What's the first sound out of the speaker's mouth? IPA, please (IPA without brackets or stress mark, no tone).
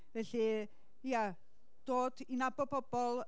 v